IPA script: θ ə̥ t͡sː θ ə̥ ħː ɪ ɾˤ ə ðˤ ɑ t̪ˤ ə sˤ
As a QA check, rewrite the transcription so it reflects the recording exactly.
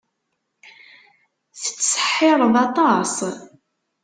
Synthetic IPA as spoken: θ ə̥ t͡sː s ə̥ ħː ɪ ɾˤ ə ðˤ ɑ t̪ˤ ɑ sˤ